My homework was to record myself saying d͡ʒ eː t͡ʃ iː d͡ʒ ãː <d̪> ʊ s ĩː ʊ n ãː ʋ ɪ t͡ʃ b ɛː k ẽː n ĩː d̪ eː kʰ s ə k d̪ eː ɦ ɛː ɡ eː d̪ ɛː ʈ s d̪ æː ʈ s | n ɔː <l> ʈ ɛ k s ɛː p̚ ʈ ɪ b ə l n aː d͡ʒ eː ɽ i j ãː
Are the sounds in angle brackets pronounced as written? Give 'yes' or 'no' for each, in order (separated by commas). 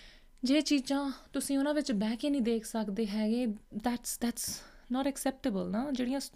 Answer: no, no